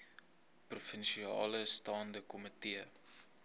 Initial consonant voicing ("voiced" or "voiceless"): voiceless